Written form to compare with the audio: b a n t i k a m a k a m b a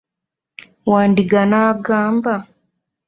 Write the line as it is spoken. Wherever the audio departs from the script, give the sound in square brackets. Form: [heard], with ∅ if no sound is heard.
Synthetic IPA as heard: [w] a n [d] i [ɡ] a [n] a [ɡ] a m b a

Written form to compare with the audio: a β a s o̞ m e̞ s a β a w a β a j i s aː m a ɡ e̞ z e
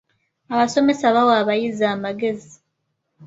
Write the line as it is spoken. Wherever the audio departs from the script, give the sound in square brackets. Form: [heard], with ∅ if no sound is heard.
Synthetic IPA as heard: a β a s o̞ m e̞ s a β a w a β a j i [z] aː m a ɡ e̞ z [i]

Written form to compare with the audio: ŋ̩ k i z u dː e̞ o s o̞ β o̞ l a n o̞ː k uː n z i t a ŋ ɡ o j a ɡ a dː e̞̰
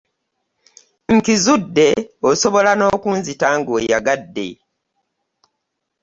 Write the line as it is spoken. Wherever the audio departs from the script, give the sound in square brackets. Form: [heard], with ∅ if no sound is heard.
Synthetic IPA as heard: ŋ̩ k i z u dː e̞ o s o̞ β o̞ l a n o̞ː k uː n z i t a ŋ ɡ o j a ɡ a dː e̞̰

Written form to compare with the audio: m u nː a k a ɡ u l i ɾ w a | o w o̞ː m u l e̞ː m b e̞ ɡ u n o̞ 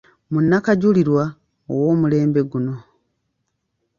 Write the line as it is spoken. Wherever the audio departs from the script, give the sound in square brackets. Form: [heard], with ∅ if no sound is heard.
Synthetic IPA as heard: m u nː a k a [ɟ] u l i ɾ w a | o w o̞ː m u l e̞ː m b e̞ ɡ u n o̞

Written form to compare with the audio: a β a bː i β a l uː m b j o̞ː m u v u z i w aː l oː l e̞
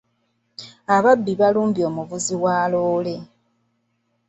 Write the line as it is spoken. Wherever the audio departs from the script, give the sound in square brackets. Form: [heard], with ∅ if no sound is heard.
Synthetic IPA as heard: a β a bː i β a l uː m b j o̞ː m u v u z i w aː l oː l e̞

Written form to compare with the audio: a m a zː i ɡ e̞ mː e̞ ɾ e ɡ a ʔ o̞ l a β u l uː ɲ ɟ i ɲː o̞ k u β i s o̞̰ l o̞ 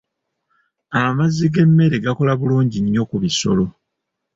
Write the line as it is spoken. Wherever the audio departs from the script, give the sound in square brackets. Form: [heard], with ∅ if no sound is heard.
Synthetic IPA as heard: a m a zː i ɡ e̞ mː e̞ ɾ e ɡ a [k] o̞ l a β u l uː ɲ ɟ i ɲː o̞ k u β i s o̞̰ l o̞

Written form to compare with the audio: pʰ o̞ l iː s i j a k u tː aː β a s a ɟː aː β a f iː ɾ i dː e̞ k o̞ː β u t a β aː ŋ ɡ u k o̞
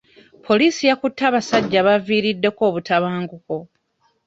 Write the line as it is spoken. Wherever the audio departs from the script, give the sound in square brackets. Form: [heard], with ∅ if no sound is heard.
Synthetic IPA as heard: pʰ o̞ l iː s i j a k u tː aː β a s a ɟː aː β a [v] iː ɾ i dː e̞ k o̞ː β u t a β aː ŋ ɡ u k o̞

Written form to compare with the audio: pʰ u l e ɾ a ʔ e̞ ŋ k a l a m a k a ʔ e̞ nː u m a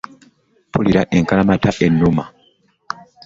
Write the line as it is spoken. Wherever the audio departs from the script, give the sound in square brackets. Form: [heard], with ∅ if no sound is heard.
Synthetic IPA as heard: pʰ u l [i] ɾ a ʔ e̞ ŋ k a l a m a [t] a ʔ e̞ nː u m a

